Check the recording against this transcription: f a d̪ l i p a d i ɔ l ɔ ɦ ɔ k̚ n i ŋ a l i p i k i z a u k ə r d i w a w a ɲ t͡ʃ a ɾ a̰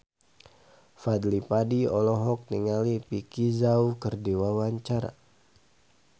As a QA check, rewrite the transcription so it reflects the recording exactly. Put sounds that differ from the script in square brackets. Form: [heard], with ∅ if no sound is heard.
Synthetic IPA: f a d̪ l i p a d i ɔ l ɔ ɦ ɔ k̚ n i ŋ a l i p i k i z a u k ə r d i w a w a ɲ t͡ʃ a ɾ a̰

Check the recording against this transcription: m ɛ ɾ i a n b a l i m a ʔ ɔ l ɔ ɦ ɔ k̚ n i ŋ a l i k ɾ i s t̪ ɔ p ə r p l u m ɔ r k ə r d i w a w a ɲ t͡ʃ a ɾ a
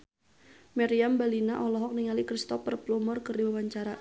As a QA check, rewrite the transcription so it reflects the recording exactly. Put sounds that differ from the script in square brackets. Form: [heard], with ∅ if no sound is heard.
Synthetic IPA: m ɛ ɾ i a [m] b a l i [n] a ʔ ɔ l ɔ ɦ ɔ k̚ n i ŋ a l i k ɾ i s t̪ ɔ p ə r p l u m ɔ r k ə r d i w a w a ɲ t͡ʃ a ɾ a

